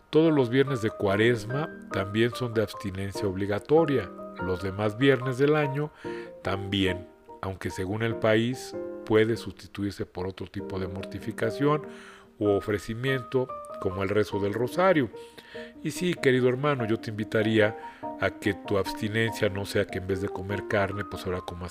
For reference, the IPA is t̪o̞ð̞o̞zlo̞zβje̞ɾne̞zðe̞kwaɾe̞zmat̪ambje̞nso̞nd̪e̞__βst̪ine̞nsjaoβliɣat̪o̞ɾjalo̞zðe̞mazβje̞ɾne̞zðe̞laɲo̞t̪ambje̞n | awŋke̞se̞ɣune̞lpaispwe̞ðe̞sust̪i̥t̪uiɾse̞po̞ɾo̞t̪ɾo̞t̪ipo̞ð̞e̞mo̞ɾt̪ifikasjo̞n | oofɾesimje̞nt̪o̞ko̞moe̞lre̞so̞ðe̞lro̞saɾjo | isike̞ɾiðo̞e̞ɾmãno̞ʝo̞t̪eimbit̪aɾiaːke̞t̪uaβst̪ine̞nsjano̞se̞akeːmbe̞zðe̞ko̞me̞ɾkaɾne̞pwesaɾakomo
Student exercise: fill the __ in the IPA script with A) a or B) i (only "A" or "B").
A